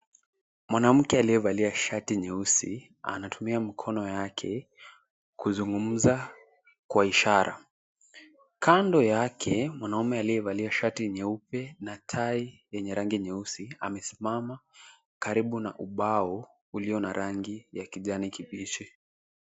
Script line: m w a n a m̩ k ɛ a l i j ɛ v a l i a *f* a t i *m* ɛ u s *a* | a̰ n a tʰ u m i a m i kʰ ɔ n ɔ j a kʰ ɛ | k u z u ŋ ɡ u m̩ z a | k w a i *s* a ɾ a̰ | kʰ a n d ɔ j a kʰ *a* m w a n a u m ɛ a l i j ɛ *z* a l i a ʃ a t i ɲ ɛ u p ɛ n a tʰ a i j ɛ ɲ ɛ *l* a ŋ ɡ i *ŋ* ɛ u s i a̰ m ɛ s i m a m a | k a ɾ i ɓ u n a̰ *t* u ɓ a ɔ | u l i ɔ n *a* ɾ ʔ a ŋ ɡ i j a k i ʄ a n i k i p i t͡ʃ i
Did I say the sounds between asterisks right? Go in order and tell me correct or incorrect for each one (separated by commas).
incorrect, incorrect, incorrect, incorrect, incorrect, incorrect, incorrect, incorrect, incorrect, correct